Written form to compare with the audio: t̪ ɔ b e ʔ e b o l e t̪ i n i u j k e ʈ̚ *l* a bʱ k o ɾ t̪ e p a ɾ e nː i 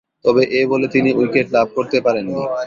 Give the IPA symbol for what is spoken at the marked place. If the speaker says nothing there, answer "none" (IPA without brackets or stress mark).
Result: l